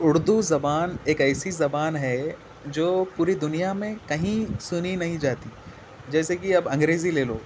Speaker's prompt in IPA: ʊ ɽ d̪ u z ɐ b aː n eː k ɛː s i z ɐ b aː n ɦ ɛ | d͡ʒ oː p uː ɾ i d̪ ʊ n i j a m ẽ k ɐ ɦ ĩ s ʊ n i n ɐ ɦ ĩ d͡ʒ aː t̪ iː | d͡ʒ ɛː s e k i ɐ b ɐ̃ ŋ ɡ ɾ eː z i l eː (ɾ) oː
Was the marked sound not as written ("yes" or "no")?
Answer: yes